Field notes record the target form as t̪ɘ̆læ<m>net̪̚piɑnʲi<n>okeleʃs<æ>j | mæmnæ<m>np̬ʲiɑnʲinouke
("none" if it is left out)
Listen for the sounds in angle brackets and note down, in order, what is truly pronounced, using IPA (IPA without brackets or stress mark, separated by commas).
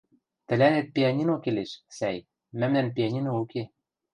none, n, æ, none